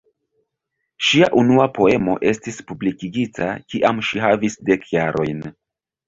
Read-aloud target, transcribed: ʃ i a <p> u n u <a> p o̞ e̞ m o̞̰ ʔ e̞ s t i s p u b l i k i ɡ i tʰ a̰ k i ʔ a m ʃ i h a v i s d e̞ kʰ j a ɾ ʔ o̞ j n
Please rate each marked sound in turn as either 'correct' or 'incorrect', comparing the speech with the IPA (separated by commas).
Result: incorrect, correct